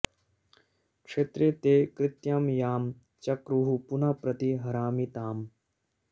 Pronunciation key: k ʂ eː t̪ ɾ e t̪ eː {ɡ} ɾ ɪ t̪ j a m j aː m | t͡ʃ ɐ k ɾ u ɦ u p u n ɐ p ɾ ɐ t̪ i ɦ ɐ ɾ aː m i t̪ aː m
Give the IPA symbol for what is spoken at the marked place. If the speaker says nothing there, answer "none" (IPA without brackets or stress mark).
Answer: k